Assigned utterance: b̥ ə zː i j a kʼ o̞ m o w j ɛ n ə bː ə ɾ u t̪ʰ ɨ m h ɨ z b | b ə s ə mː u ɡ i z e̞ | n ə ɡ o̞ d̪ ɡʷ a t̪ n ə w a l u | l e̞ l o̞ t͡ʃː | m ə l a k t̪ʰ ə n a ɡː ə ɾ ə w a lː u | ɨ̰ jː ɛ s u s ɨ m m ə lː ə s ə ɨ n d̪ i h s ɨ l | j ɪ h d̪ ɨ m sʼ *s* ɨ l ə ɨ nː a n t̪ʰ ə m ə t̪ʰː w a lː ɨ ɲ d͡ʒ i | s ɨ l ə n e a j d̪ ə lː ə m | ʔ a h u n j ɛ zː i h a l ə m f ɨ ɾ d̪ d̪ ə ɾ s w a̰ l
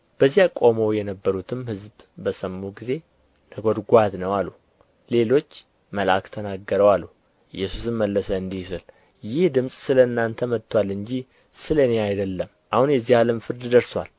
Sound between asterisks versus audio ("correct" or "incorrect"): correct